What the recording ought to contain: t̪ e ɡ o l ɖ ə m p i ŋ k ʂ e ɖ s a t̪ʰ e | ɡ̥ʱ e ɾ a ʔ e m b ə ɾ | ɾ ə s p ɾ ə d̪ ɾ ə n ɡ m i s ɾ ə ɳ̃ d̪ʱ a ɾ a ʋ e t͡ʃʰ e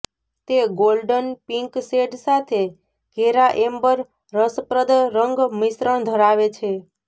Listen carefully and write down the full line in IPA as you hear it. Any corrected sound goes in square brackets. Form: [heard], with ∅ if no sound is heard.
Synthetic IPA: t̪ e ɡ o l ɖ ə [n] p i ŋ k [s] e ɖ s a t̪ʰ e | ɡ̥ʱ e ɾ a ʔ e m b ə ɾ | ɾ ə s p ɾ ə d̪ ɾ ə [ŋ] ɡ m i s ɾ ə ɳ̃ d̪ʱ [ə] ɾ a ʋ e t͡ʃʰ e

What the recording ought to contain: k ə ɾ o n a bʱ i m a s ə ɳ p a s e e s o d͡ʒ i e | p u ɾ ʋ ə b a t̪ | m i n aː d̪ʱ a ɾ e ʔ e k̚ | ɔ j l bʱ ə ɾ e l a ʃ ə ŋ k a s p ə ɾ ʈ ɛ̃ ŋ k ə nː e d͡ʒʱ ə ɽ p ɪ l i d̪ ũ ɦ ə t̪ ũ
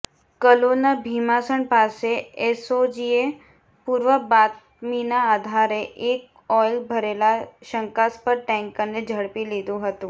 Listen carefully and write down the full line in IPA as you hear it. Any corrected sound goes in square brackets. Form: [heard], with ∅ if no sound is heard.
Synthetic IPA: k ə [l] o n a bʱ i m a s ə ɳ p a s e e s o d͡ʒ i e | p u ɾ ʋ ə b a t̪ | m i n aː d̪ʱ a ɾ e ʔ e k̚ | ɔ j l bʱ ə ɾ e l a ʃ ə ŋ k a s p ə ɾ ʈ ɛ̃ ŋ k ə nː e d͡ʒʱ ə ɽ p [i] l i d̪ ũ ɦ ə t̪ ũ

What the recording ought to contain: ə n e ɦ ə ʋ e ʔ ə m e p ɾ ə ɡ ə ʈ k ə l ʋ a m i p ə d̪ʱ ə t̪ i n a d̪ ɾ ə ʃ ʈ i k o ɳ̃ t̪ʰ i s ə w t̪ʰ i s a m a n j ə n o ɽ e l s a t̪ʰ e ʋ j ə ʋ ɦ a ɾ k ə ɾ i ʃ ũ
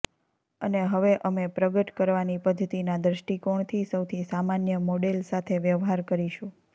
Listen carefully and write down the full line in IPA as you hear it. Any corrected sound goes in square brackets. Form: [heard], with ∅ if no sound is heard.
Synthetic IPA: ə n e ɦ ə ʋ e ʔ ə m e p ɾ ə ɡ ə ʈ k ə [ɾ] ʋ a [n] i p ə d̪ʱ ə t̪ i n a d̪ ɾ ə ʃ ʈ i k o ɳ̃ t̪ʰ i s ə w t̪ʰ i s a m a n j ə [m] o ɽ e l s a t̪ʰ e ʋ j ə ʋ ɦ a ɾ k ə ɾ i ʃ ũ

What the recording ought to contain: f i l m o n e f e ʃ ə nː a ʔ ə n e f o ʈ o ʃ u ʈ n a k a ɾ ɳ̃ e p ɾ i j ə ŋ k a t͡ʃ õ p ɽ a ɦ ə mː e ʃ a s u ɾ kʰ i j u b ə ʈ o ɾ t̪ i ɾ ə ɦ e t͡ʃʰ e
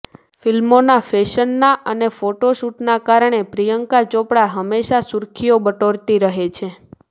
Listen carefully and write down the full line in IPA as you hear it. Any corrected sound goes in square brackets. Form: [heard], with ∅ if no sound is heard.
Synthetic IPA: f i l m o n [a] f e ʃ ə nː a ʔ ə n e f o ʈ o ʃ u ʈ n a k a ɾ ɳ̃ e p ɾ i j ə ŋ k a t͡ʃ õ p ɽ a ɦ ə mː e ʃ a s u ɾ kʰ i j [o] b ə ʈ o ɾ t̪ i ɾ ə ɦ e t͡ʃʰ e

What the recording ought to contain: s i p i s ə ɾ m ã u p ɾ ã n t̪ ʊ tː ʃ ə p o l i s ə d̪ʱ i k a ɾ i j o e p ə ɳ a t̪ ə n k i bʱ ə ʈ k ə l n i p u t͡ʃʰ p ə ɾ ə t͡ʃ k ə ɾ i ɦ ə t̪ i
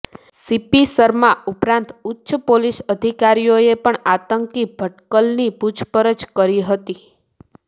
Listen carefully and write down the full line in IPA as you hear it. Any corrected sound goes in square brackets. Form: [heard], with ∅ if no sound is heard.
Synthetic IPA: s i p i s ə ɾ m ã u p ɾ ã n t̪ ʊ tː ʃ ə p o l i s ə d̪ʱ i k a ɾ i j o e p ə ɳ a t̪ ə [ŋ] k i bʱ ə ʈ k ə l n i p u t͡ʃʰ p ə ɾ ə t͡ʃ k ə ɾ i ɦ ə t̪ i

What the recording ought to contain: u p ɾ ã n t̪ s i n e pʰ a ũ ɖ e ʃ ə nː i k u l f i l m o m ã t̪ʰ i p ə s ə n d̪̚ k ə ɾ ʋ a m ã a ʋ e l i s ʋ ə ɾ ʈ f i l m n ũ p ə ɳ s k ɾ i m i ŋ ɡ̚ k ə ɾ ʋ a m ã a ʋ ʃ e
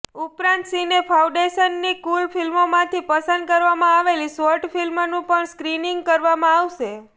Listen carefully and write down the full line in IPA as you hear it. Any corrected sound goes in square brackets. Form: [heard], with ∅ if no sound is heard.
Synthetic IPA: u p ɾ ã n t̪ s i n e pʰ a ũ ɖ e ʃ ə nː i k u l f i l m o m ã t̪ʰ i p ə s ə n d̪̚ k ə ɾ ʋ a m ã a ʋ e l i s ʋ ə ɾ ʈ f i l m n ũ p ə ɳ s k ɾ i [n] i ŋ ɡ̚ k ə ɾ ʋ a m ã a ʋ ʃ e

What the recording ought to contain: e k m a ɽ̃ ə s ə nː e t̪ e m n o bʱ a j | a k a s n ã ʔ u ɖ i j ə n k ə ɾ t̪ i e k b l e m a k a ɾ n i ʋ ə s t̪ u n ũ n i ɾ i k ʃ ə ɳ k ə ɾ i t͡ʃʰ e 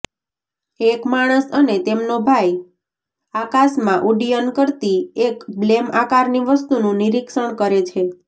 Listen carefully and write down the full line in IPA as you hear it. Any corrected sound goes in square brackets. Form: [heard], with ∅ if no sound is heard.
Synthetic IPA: e k m a ɽ̃ ə s ə [n] e t̪ e m n o bʱ a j | a k a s [m] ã ʔ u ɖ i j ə n k ə ɾ t̪ i e k b l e m a k a ɾ n i ʋ ə s t̪ u n ũ n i ɾ i k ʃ ə ɳ k ə ɾ [e] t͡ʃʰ e

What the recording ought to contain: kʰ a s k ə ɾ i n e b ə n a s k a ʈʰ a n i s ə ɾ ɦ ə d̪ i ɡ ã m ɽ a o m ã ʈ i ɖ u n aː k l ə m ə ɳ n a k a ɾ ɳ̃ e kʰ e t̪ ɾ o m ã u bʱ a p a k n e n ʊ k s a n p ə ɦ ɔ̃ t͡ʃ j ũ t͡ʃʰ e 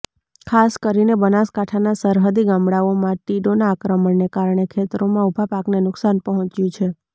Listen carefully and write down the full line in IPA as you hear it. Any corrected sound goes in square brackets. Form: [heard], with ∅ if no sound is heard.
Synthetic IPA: kʰ a s k ə ɾ i n e b ə n a s k a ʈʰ a n [a] s ə ɾ ɦ ə d̪ i ɡ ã m ɽ a o m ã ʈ i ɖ [o] n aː k [ɾ] ə m ə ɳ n [e] k a ɾ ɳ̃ e kʰ e t̪ ɾ o m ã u bʱ a p a k n e n ʊ k s a n p ə ɦ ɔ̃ t͡ʃ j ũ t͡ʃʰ e

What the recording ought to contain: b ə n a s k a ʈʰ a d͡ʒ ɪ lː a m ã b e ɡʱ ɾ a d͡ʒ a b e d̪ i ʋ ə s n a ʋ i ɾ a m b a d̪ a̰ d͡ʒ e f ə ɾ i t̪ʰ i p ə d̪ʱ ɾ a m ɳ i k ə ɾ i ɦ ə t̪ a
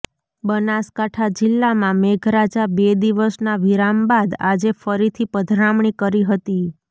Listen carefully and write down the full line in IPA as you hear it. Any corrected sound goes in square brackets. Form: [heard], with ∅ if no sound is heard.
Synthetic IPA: b ə n a s k a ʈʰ a d͡ʒ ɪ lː a m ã [m] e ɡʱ ɾ a d͡ʒ a b e d̪ i ʋ ə s n a ʋ i ɾ a m b a d̪ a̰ d͡ʒ e f ə ɾ i t̪ʰ i p ə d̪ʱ ɾ a m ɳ i k ə ɾ i ɦ ə t̪ [i]

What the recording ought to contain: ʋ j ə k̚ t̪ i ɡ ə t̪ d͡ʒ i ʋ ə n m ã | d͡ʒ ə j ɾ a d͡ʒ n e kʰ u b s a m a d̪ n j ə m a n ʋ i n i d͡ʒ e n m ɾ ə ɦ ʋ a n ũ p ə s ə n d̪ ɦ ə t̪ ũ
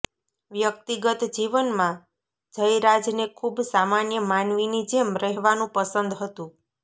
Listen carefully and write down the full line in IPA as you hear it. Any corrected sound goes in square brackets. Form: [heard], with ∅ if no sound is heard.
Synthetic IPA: ʋ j ə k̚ t̪ i ɡ ə t̪ d͡ʒ i ʋ ə n m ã | d͡ʒ ə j ɾ a d͡ʒ n e kʰ u b s a m a [∅] n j ə m a n ʋ i n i d͡ʒ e [∅] m ɾ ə ɦ ʋ a n ũ p ə s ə n d̪ ɦ ə t̪ ũ

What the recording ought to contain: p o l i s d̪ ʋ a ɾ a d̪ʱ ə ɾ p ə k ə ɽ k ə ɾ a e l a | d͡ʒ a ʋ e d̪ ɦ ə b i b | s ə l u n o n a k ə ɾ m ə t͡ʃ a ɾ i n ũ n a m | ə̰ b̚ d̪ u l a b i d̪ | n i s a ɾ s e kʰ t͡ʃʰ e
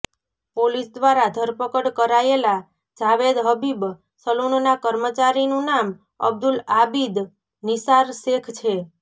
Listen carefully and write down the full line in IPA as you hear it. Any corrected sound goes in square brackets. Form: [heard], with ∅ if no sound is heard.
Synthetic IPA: p o l i s d̪ ʋ a ɾ a d̪ʱ ə ɾ p ə k ə ɽ k ə ɾ a e l a | d͡ʒ a ʋ e d̪ ɦ ə b i b | s ə l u n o n a k ə ɾ m ə t͡ʃ a ɾ i n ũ n a m | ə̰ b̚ d̪ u l a b i d̪ | n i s a ɾ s e kʰ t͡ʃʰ e

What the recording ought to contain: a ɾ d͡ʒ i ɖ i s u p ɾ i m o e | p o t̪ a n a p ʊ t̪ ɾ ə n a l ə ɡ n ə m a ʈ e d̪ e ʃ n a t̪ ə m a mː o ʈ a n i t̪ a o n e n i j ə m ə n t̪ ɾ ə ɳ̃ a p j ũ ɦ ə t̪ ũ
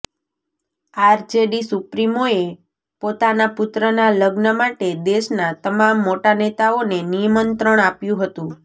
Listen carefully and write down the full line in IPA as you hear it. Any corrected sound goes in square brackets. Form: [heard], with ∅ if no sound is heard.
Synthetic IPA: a ɾ d͡ʒ [e] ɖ i s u p ɾ i m o e | p o t̪ a n a p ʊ t̪ ɾ ə n a l ə ɡ n ə m a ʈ e d̪ e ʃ n a t̪ ə m a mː o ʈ a n [e] t̪ a o n e n i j ə m ə n t̪ ɾ ə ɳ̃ a p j ũ ɦ ə t̪ ũ

